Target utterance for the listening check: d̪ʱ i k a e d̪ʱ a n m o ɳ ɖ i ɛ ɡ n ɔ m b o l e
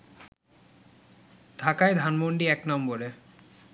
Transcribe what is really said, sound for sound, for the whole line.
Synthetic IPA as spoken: d̪ʱ a k a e d̪ʱ a n m o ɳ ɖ i ɛ k n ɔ m b o ɾ e